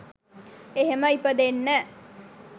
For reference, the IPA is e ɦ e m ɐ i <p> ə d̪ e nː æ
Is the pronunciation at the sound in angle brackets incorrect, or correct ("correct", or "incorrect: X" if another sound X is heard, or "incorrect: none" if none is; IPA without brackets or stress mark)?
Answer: correct